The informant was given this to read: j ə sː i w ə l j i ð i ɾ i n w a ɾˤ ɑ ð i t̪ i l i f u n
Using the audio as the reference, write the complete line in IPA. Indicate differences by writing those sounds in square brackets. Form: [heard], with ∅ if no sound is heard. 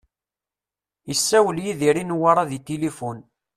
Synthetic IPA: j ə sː [æ] w ə l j i ð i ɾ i n w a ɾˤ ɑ ð i t̪ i l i f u n